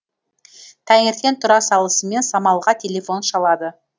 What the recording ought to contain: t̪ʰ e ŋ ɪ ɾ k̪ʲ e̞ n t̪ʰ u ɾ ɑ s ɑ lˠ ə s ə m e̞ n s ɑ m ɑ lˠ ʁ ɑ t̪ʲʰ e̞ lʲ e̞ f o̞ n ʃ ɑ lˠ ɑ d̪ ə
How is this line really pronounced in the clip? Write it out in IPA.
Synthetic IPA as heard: t̪ʰ æ ŋ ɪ ɾ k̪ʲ e̞ n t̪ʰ ʊ ɾ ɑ s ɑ lˠ ə s ə m e̞ n s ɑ m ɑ lˠ ʁ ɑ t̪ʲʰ e̞ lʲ e̞ f o̞ n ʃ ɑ lˠ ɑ d̪ ə